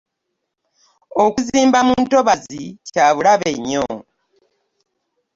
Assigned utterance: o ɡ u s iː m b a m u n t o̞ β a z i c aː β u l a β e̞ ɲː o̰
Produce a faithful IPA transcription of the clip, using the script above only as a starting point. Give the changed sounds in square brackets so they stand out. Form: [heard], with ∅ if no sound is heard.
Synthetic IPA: o [k] u [z] iː m b a m u n t o̞ β a z i c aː β u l a β e̞ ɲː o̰